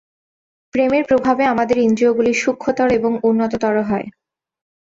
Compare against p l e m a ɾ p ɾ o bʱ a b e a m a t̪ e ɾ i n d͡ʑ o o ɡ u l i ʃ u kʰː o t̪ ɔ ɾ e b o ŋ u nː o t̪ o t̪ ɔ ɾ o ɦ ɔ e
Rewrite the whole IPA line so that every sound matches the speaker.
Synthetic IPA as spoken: p ɾ e m e ɾ p ɾ o bʱ a b e a m a d̪ e ɾ i n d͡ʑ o o ɡ u l i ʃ u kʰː o t̪ ɔ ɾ e b o ŋ u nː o t̪ o t̪ ɔ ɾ o ɦ ɔ e

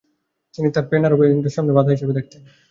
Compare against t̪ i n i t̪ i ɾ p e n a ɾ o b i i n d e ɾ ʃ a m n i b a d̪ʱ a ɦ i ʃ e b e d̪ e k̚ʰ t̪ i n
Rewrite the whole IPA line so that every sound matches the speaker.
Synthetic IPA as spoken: t̪ i n i t̪ a ɾ p e n a ɾ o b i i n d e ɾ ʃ a m n e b a d̪ʱ a ɦ i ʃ e b e d̪ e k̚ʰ t̪ e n

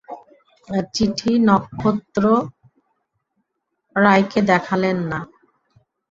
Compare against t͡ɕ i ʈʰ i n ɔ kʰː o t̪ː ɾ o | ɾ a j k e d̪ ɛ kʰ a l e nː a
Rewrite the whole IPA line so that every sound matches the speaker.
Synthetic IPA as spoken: t͡ɕ i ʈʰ i n ɔ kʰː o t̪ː ɾ o | ɾ a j k e d̪ ɛ kʰ a l e nː a

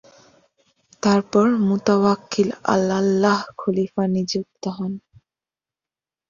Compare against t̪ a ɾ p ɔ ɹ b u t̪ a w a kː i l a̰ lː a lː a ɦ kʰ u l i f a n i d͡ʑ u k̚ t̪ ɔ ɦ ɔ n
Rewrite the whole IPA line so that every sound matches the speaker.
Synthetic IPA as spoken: t̪ a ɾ p ɔ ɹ m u t̪ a w a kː i l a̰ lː a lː a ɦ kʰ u l i f a n i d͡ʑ u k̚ t̪ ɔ ɦ ɔ n

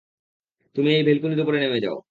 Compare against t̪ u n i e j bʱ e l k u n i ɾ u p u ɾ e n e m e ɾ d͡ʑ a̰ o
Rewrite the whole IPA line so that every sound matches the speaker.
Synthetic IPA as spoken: t̪ u m i e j bʱ e l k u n i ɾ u p o ɾ e n e m e d͡ʑ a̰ o

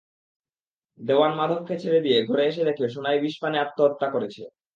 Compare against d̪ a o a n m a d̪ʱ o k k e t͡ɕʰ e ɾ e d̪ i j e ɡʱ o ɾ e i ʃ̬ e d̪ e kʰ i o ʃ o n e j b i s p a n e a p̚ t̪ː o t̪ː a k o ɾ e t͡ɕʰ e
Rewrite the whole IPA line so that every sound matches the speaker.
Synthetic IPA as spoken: d̪ e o a n m a d̪ʱ o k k e t͡ɕʰ e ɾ e d̪ i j e ɡʱ o ɾ e e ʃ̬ e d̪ e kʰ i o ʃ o n a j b i ʃ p a n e a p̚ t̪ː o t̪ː a k o ɾ e t͡ɕʰ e

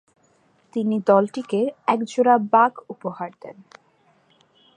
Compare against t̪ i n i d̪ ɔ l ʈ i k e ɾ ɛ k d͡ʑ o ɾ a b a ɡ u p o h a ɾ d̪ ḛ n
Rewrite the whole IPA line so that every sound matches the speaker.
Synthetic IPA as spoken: t̪ i n i d̪ ɔ l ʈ i k e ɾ ɛ k d͡ʑ o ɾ a b a ɡ u p o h a ɾ d̪ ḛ n

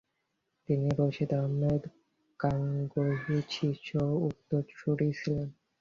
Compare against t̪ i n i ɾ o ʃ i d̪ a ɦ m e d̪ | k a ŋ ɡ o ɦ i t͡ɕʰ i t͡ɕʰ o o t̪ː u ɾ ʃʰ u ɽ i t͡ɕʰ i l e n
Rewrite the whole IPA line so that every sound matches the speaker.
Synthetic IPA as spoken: t̪ i n i ɾ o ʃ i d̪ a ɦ m e d̪ | k a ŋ ɡ o ɦ i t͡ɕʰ i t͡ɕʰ o u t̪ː o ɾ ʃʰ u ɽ i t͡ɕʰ i l e n

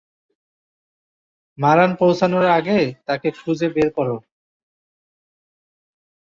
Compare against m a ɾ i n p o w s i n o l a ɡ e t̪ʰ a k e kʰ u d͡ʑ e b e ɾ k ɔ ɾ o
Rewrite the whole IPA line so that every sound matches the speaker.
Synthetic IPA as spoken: m a ɾ a n p o w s a n o ɾ a ɡ e t̪ a k e kʰ u d͡ʑ e b e ɾ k ɔ ɾ o

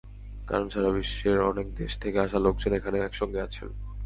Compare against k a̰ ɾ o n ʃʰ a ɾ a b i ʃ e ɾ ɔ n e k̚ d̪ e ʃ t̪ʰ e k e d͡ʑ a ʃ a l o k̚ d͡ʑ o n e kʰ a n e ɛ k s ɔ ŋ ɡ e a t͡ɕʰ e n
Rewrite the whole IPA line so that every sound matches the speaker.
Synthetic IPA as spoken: k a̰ ɾ o n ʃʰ a ɾ a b i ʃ e ɾ ɔ n e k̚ d̪ e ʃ t̪ʰ e k e a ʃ a l o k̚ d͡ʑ o n e kʰ a n e ɛ k ʃ ɔ ŋ ɡ e a t͡ɕʰ e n

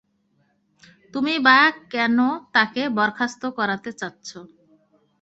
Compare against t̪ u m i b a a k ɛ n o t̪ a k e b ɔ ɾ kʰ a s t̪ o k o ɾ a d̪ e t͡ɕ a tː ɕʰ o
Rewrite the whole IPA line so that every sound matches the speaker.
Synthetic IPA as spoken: t̪ u m i b a a k ɛ n o t̪ a k e b ɔ ɾ kʰ a s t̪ o k ɔ ɾ a t̪ e t͡ɕ a tː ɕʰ o

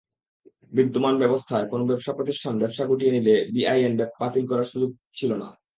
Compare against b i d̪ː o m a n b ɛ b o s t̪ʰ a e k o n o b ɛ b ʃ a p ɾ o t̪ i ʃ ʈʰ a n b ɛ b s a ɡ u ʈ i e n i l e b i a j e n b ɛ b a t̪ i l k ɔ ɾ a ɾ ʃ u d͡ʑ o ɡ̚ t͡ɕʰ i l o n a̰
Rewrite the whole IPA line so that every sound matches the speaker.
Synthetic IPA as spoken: b i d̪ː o m a n b ɛ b o s t̪ʰ a e k o n o b ɛ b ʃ a p ɾ o t̪ i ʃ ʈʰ a n b ɛ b ʃ a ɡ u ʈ i e n i l e b i a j e n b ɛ b a t̪ i l k ɔ ɾ a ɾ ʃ u d͡ʑ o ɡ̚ t͡ɕʰ i l o n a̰

